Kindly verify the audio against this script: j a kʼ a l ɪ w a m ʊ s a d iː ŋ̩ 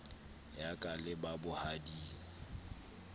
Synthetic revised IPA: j a kʼ a l ɪ b a b ʊ h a d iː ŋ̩